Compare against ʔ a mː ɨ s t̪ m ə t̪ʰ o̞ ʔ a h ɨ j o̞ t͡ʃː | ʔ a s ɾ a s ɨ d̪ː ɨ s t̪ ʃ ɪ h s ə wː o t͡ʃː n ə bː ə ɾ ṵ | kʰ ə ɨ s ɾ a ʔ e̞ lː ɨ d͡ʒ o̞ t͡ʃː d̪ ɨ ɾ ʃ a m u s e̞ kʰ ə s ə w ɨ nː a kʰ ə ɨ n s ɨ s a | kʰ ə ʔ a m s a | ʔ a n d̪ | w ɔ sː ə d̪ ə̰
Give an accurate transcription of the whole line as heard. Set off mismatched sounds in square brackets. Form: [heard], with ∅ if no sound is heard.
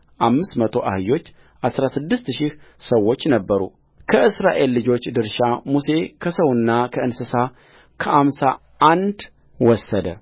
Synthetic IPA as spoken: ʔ a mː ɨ s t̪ m ə t̪ʰ o̞ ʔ a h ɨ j o̞ t͡ʃː | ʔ a s ɾ a s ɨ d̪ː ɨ s t̪ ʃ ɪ h s ə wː o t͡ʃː n ə bː ə ɾ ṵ | kʰ ə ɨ s ɾ a ʔ e̞ lː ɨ d͡ʒ o̞ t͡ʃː d̪ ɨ ɾ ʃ a m u s e̞ kʰ ə s ə w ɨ nː a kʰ ə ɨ n s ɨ s a | kʰ ə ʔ a m s a | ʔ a n d̪ | w ɔ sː ə d̪ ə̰